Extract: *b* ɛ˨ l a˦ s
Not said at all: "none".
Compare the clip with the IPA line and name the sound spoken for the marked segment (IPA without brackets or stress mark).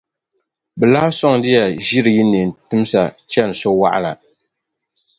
b